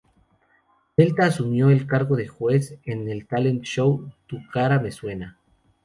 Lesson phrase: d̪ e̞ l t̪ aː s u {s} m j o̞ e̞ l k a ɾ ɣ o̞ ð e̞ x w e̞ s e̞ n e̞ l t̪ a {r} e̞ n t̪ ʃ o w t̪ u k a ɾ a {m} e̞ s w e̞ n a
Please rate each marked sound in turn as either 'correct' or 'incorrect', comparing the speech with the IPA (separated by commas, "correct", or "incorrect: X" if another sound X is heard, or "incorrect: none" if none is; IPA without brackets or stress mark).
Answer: incorrect: none, incorrect: l, correct